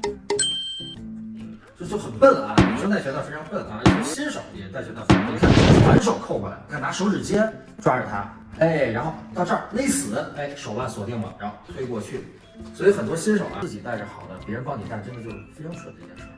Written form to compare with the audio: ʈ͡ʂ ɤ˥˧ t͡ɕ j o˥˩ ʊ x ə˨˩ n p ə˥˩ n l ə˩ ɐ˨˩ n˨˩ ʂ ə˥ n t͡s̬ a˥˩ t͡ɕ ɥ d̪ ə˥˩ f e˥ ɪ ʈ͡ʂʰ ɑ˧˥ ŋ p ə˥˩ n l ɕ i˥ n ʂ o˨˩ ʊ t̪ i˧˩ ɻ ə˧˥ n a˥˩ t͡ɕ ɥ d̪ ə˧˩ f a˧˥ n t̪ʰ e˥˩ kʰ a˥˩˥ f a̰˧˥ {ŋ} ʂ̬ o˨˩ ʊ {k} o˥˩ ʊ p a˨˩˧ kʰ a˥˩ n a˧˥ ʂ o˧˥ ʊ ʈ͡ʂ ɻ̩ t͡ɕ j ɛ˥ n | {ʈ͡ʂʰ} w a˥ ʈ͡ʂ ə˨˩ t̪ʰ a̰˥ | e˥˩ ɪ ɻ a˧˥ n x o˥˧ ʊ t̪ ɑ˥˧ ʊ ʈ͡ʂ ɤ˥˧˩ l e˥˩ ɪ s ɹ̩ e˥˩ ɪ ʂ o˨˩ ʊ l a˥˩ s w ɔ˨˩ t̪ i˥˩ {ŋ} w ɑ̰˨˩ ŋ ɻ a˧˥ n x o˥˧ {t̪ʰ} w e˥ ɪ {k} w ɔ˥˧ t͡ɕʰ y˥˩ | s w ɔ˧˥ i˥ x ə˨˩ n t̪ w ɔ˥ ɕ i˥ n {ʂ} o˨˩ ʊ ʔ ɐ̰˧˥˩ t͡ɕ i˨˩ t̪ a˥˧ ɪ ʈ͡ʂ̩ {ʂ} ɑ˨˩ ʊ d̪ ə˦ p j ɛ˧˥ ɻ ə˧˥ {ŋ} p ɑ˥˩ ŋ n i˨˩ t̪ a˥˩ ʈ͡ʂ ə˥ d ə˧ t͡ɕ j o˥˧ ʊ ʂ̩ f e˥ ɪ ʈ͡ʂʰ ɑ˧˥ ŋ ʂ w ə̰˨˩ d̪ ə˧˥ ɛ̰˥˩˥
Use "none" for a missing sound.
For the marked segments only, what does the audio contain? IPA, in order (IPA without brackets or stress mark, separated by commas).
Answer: n, kʰ, ʈ͡ʂ, ŋ, t̪ʰ, k, ʂ, x, n